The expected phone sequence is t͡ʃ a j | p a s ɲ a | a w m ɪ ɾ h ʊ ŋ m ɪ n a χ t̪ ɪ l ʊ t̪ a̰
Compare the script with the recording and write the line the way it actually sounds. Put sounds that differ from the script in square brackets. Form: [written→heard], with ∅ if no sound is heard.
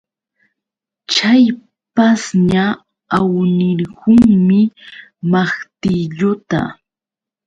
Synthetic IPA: t͡ʃ a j | p a s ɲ a | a w [m→n] ɪ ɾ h ʊ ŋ m ɪ [n→m] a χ t̪ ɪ [l→ʎ] ʊ t̪ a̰

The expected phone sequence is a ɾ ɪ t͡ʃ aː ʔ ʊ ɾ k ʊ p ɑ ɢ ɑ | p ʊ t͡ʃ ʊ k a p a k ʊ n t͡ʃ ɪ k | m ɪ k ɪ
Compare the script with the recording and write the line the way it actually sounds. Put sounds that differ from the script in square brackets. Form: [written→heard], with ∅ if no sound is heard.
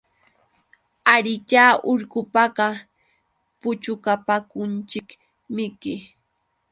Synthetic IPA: a ɾ ɪ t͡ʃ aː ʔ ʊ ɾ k ʊ p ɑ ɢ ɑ | p ʊ t͡ʃ ʊ k a p a k ʊ n t͡ʃ ɪ k | m ɪ k ɪ

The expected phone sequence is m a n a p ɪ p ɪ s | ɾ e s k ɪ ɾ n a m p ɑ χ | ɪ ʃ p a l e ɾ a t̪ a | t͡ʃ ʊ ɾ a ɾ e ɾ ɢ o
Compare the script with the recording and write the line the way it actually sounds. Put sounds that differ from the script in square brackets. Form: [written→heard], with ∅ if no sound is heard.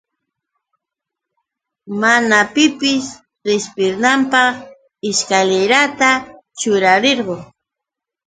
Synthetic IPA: m a n a p ɪ p ɪ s | ɾ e s [k→p] ɪ ɾ n a m p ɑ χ | ɪ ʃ [p→k] a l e ɾ a t̪ a | t͡ʃ ʊ ɾ a ɾ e ɾ ɢ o

